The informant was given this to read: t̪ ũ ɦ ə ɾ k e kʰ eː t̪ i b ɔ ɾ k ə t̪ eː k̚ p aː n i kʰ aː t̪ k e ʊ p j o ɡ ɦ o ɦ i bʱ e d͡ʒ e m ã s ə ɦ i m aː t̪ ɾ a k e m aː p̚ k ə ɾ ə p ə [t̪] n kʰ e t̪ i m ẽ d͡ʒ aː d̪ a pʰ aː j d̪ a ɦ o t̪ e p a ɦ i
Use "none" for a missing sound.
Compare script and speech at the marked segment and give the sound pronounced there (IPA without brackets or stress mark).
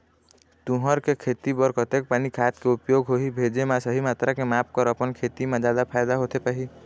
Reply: none